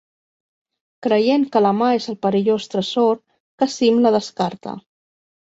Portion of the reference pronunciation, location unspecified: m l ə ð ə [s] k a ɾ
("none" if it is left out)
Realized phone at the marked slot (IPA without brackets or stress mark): s